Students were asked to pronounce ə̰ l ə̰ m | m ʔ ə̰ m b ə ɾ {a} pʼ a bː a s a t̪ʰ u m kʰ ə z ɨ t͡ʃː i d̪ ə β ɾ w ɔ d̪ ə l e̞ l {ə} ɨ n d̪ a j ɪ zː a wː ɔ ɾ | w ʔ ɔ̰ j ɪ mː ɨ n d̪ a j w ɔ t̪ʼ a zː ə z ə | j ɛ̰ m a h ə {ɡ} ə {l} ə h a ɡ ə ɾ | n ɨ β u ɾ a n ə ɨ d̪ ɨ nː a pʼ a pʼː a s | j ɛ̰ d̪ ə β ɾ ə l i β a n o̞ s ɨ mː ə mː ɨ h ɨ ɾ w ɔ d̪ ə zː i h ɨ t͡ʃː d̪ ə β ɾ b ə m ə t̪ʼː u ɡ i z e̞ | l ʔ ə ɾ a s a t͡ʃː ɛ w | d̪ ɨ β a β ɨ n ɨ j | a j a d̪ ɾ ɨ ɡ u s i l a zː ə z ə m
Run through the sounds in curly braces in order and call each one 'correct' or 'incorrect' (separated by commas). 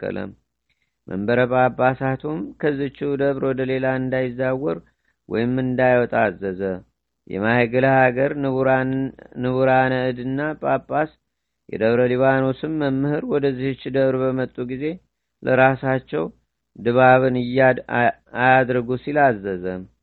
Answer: incorrect, incorrect, correct, correct